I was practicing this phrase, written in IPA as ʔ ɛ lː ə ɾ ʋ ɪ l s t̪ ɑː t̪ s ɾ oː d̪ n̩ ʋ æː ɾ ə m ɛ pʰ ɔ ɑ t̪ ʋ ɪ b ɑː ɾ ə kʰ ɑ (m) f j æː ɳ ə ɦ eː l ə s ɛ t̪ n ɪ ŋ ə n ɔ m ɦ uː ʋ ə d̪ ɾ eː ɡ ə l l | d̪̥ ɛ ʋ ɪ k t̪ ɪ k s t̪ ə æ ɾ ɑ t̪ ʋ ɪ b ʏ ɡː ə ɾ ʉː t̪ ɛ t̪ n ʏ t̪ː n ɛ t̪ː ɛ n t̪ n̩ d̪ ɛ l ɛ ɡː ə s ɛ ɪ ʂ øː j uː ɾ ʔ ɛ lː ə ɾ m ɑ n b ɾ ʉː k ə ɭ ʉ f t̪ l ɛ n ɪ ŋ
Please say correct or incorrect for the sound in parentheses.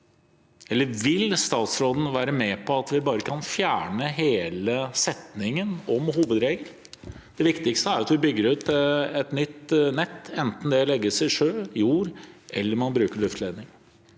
incorrect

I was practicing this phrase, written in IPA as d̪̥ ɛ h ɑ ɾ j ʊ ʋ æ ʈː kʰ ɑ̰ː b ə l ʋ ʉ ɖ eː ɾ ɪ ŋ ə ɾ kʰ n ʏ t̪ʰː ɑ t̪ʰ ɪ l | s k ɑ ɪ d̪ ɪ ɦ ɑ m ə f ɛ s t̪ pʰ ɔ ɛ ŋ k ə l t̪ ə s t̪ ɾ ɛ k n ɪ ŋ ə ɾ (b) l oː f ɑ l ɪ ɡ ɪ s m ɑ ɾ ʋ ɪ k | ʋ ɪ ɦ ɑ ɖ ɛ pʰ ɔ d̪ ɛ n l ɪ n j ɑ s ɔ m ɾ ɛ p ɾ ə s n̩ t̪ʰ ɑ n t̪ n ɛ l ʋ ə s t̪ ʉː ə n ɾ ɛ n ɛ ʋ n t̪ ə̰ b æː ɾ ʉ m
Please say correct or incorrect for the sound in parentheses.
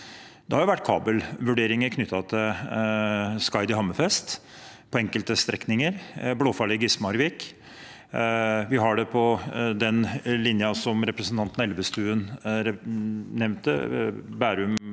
correct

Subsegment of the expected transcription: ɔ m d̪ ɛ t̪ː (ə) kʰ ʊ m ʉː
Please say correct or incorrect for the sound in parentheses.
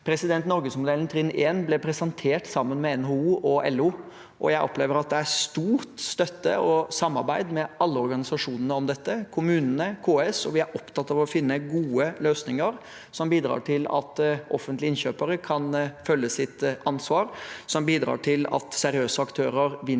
correct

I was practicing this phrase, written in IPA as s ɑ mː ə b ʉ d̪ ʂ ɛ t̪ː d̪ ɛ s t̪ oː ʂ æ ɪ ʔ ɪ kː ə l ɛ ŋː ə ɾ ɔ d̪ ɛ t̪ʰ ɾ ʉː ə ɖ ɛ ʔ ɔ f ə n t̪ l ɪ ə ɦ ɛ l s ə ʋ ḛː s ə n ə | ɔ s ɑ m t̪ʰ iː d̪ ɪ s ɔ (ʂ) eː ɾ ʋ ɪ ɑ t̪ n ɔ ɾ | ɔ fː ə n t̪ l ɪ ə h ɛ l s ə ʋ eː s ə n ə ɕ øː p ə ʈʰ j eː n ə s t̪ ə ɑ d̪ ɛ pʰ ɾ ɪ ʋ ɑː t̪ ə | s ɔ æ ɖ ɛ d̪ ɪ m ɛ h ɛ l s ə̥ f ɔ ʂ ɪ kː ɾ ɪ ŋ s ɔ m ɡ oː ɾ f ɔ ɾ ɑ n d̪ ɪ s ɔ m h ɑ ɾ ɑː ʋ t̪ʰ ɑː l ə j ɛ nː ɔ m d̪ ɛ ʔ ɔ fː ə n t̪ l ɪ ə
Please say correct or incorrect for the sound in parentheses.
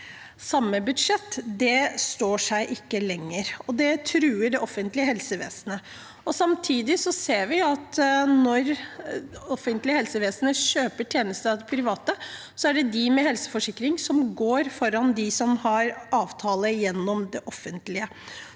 incorrect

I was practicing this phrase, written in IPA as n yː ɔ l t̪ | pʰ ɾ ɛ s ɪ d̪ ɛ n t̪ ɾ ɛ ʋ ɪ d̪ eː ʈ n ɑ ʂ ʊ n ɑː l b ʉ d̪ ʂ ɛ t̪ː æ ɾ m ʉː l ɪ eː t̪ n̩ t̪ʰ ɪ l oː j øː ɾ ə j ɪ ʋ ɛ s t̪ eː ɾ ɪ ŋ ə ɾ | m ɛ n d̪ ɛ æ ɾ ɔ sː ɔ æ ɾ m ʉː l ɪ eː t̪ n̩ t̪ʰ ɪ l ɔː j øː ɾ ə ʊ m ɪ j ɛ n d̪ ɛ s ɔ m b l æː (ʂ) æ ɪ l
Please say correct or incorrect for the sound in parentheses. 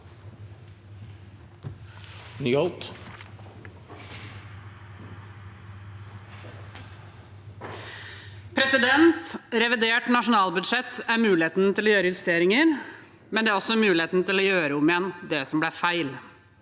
incorrect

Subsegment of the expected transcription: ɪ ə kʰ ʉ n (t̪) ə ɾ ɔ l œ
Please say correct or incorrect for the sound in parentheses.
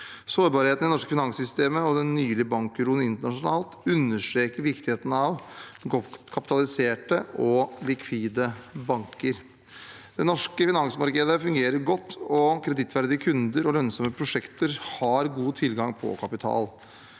incorrect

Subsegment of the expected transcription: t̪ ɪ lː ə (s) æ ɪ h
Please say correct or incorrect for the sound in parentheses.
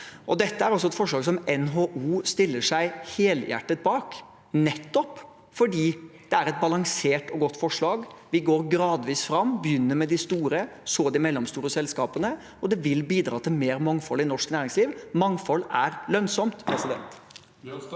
incorrect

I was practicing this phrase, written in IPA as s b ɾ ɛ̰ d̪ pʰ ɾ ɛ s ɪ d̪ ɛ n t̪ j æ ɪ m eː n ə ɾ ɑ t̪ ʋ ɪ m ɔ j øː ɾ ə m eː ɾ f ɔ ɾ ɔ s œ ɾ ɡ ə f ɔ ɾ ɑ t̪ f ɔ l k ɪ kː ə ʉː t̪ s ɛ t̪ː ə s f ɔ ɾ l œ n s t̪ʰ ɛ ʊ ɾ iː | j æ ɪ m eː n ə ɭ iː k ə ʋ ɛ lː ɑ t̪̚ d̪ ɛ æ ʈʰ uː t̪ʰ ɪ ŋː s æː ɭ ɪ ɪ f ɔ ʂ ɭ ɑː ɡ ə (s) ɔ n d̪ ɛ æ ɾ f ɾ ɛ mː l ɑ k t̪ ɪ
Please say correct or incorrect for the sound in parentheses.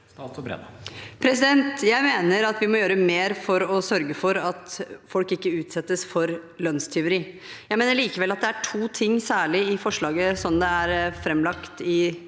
correct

